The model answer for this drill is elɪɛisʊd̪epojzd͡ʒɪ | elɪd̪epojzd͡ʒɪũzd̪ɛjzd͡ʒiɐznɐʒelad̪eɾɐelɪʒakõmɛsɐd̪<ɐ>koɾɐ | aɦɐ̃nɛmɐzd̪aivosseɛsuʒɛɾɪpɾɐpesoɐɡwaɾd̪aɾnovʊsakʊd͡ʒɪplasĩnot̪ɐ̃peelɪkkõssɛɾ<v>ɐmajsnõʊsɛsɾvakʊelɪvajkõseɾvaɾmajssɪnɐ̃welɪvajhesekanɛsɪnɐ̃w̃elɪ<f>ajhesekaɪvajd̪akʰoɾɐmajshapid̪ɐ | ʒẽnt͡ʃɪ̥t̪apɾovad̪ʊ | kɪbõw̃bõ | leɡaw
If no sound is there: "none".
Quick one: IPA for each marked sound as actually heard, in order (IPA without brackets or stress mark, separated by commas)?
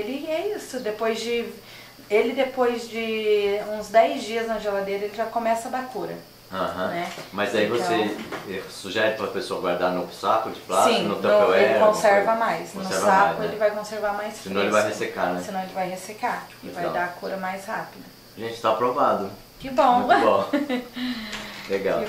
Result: a, v, v